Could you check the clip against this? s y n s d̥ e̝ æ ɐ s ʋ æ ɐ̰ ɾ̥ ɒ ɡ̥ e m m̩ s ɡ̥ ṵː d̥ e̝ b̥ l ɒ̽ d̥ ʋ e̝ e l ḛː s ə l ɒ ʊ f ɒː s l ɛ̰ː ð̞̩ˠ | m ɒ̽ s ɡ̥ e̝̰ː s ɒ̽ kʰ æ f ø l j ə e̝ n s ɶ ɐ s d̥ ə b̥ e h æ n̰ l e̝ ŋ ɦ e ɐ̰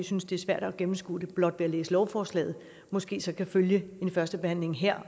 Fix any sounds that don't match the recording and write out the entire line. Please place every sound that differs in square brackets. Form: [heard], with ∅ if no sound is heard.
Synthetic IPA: s y n s d̥ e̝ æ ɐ s ʋ æ ɐ̰ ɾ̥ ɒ ɡ̥ e m m̩ s ɡ̥ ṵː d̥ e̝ b̥ l ɒ̽ d̥ ʋ e̝ [æ] l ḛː s ə l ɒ ʊ f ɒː s l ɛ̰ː ð̞̩ˠ | m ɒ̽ s ɡ̥ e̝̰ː s ɒ̽ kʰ æ f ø l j ə e̝ n [f] ɶ ɐ s d̥ ə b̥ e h æ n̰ l e̝ ŋ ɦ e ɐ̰

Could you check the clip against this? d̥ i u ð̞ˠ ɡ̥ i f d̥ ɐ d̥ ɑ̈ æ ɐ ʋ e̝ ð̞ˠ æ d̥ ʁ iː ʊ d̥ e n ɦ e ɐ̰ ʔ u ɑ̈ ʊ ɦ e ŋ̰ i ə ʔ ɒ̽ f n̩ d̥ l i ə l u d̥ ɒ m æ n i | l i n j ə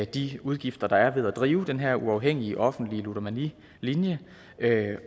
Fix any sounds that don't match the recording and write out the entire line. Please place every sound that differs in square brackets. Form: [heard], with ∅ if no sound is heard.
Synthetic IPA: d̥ i u ð̞ˠ ɡ̥ i f d̥ ɐ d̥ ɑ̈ æ ɐ ʋ e̝ ð̞ˠ æ d̥ ʁ iː ʊ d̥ e n ɦ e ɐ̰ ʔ u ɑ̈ ʊ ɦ e ŋ̰ i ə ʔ ɒ̽ f n̩ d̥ l i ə l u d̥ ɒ m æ n i | l i n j ə

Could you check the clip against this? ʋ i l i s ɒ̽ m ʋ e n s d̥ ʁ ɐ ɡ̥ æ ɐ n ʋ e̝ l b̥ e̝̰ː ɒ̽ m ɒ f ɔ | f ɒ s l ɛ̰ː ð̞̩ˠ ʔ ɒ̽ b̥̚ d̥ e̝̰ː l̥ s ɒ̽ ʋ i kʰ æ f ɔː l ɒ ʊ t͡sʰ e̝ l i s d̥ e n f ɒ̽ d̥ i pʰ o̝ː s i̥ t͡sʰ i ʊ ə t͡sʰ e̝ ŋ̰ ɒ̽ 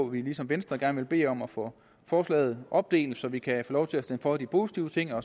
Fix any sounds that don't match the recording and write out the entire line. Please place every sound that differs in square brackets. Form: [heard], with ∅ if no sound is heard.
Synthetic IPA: ʋ i l i s ɒ̽ m ʋ e n s d̥ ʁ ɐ ɡ̥ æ ɐ n ʋ e̝ l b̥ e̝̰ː ɒ̽ m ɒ f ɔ | f [ɒː] s l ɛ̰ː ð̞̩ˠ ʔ ɒ̽ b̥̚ d̥ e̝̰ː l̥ s ɒ̽ ʋ i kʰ æ f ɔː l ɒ ʊ t͡sʰ e̝ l [æ] s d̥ e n f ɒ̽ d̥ i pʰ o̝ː s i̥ t͡sʰ i ʊ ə t͡sʰ e̝ ŋ̰ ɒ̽

